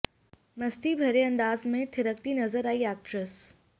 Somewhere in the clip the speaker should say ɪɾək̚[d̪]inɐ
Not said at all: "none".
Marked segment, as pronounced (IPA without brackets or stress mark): t̪